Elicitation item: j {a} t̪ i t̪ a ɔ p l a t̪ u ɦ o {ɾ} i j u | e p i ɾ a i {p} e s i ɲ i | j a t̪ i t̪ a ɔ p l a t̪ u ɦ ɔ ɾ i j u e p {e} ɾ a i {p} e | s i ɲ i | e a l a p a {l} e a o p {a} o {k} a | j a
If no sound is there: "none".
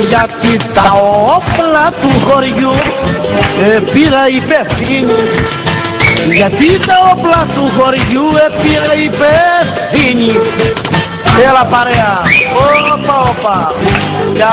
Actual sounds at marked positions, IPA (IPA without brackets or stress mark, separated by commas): a, ɾ, p, i, p, ɾ, a, p